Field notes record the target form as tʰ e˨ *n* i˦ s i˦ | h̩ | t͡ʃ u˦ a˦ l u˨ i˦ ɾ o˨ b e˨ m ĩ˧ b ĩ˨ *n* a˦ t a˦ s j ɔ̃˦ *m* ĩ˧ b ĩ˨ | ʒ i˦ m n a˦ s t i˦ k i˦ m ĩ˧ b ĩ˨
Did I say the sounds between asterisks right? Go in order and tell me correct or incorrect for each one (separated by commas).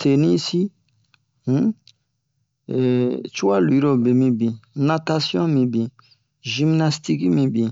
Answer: correct, correct, correct